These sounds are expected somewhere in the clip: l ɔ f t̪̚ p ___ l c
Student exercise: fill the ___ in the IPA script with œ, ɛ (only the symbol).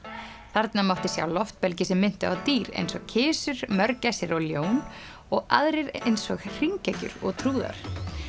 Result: ɛ